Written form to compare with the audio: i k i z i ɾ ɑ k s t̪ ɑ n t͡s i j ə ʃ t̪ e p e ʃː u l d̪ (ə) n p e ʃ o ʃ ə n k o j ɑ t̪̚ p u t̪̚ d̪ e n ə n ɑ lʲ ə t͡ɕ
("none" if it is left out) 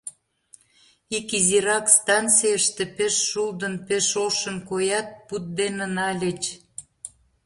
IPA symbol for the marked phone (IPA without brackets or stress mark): ə